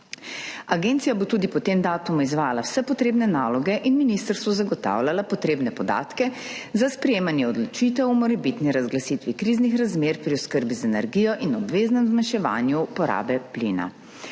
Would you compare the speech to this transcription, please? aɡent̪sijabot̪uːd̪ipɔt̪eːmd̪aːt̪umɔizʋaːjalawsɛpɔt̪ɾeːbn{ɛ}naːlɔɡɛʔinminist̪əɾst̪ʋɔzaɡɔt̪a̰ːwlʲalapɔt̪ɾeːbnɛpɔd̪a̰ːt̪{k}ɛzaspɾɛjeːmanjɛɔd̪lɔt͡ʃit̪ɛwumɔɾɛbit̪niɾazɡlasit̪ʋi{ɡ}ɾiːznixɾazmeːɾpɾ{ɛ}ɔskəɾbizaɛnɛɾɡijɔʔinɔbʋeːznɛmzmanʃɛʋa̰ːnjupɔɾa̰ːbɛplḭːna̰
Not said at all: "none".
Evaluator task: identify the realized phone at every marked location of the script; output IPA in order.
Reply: ɛ, k, k, i

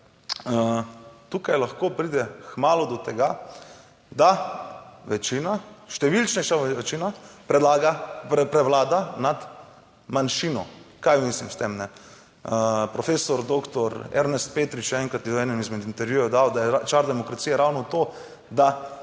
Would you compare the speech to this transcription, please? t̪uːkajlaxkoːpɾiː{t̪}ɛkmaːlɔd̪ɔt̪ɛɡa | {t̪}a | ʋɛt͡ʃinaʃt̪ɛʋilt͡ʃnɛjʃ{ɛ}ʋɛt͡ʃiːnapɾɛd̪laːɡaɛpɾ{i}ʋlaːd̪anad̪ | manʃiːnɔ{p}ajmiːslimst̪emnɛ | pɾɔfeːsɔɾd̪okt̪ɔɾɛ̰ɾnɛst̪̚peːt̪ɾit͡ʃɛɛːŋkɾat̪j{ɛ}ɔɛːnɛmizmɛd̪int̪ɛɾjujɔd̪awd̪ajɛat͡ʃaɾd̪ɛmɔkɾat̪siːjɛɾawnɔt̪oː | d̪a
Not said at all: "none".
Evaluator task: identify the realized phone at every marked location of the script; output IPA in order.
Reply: d̪, d̪, a, ɛ, k, ɛ

